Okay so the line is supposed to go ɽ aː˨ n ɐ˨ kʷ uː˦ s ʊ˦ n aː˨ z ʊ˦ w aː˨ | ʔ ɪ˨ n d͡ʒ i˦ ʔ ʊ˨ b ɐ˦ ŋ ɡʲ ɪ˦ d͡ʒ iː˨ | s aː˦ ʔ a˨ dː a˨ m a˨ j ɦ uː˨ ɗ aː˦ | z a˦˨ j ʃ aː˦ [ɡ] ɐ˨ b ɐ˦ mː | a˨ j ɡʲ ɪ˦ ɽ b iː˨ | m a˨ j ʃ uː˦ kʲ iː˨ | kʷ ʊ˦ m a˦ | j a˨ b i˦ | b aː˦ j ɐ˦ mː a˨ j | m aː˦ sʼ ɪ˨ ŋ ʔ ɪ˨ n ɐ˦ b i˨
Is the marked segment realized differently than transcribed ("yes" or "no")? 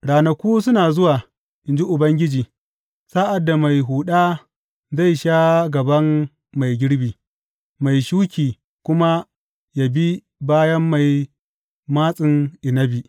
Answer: no